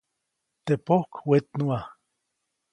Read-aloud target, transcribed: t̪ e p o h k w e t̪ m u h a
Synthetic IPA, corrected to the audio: t̪ e p o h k w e t̪ n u a